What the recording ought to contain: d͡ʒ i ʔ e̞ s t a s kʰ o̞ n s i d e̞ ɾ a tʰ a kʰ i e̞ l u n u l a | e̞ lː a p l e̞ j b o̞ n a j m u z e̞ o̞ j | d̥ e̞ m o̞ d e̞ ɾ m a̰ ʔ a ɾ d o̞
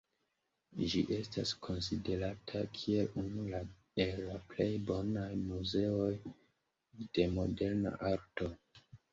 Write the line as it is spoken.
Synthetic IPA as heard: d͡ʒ i ʔ e̞ s t a s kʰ o̞ n s i d e̞ ɾ a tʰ a kʰ i e̞ l u n u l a | e̞ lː a p l e̞ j b o̞ n a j m u z e̞ o̞ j | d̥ e̞ m o̞ d e̞ ɾ n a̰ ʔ a ɾ t o̞